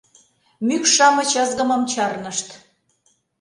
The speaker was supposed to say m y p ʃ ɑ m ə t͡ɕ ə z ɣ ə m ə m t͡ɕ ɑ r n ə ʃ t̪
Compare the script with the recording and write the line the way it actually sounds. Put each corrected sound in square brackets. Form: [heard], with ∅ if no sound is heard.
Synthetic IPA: m y [k] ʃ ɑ m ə t͡ɕ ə z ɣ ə m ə m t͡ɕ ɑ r n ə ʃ t̪